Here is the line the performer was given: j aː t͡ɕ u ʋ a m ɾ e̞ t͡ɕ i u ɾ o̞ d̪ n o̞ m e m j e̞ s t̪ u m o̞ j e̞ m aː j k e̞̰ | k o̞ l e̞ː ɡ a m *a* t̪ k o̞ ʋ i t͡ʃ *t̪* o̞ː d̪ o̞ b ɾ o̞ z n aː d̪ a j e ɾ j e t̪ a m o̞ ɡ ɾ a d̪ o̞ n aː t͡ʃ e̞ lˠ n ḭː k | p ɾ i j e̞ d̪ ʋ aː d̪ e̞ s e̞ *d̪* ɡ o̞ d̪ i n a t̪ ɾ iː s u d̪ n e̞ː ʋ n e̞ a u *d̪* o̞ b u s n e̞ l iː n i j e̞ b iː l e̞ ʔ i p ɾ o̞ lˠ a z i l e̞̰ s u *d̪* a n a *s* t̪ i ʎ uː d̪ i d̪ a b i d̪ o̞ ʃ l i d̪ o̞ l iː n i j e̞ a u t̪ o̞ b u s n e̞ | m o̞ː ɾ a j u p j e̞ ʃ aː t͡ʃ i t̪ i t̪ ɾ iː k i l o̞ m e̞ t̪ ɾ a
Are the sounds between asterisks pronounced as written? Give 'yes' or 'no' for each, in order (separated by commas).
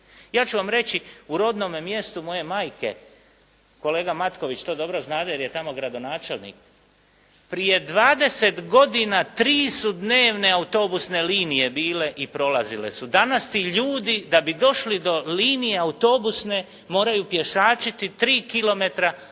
yes, yes, no, no, yes, yes